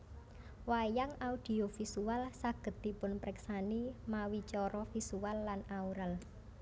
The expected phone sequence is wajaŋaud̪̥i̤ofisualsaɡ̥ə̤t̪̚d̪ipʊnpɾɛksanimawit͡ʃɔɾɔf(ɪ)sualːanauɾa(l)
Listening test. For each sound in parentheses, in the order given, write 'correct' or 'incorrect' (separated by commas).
incorrect, correct